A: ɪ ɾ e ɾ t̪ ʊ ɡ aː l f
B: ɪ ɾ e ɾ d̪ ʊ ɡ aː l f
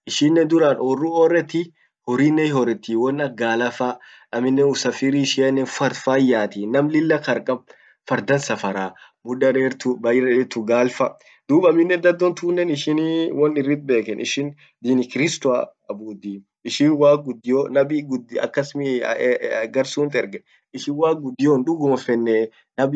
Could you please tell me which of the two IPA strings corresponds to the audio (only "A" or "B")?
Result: A